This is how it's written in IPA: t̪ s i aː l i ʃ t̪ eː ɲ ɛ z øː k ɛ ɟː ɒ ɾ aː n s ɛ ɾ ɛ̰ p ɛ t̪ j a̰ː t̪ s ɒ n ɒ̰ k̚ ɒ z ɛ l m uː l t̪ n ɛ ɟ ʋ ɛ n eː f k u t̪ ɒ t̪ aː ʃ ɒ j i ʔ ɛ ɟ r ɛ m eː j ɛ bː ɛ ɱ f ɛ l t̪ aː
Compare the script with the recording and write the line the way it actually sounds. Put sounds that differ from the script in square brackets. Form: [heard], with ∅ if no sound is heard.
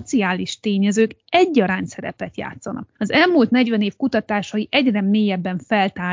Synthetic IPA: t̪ s i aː l i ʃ t̪ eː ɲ ɛ z øː k ɛ ɟː ɒ ɾ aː n s ɛ ɾ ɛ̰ p ɛ t̪ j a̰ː t̪ s ɒ n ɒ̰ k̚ ɒ z ɛ l m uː l t̪ n ɛ ɟ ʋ ɛ n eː f k u t̪ ɒ t̪ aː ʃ ɒ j i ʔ ɛ ɟ r ɛ m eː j ɛ bː ɛ ɱ f ɛ l t̪ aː